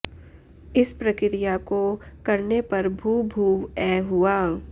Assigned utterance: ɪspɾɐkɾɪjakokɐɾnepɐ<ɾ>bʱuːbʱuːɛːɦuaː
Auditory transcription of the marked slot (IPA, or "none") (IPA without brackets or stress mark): ɾ